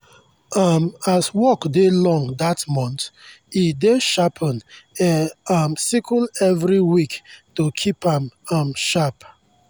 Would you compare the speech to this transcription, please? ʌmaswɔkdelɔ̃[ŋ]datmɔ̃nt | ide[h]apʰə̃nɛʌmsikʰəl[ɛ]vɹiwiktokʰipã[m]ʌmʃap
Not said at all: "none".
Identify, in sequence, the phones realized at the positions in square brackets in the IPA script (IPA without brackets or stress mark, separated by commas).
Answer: ŋ, ʃ, ɛ, m